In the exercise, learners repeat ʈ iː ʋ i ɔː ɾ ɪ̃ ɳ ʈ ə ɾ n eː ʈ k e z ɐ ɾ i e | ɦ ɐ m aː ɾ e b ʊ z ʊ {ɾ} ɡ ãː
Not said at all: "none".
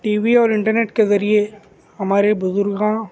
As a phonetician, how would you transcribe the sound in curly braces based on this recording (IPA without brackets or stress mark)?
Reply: ɾ